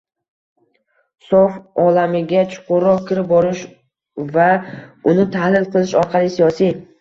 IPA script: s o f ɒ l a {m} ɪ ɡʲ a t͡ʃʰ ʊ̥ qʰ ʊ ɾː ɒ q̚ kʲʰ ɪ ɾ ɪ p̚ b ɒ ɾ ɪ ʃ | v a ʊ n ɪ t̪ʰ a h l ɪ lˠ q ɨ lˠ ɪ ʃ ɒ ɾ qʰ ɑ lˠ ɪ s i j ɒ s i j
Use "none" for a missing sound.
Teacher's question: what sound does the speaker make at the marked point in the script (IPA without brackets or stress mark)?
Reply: m